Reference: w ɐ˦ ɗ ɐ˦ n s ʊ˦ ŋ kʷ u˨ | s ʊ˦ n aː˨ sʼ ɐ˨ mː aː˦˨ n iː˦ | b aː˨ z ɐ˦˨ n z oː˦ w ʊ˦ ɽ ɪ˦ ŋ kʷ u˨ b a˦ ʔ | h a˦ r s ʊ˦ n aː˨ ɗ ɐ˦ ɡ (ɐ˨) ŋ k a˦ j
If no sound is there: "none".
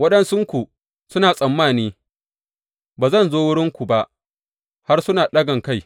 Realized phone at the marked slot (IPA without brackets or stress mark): ɐ˨